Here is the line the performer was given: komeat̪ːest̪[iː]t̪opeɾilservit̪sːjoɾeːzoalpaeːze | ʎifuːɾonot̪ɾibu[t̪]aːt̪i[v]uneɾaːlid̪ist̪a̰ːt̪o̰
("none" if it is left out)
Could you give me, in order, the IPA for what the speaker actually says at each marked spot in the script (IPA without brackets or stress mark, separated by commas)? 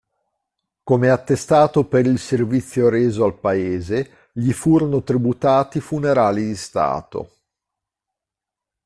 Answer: aː, t̪, f